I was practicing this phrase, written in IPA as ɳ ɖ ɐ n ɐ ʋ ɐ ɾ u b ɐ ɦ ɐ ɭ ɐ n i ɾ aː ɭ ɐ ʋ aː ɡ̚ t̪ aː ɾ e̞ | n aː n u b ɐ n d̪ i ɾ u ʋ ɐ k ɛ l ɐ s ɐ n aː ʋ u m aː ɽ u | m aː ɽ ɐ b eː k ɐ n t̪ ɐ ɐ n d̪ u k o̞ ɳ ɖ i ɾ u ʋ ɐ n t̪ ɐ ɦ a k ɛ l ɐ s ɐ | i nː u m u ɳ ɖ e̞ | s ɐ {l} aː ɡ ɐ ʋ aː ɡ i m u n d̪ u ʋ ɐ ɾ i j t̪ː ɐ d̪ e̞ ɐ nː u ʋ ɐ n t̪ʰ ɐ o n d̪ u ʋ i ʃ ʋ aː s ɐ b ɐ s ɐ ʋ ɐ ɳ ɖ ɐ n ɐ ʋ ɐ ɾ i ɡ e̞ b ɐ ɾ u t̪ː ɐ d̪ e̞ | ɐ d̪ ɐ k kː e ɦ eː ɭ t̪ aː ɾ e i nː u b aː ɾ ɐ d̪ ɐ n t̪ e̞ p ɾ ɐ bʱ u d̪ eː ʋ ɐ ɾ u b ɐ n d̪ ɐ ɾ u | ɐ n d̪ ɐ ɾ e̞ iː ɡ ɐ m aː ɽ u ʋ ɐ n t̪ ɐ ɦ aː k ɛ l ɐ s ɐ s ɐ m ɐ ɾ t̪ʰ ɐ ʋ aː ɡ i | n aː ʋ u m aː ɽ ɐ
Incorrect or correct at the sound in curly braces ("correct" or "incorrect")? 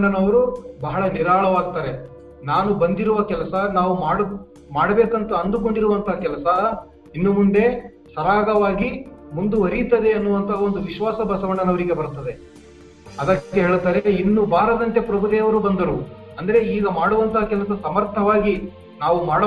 incorrect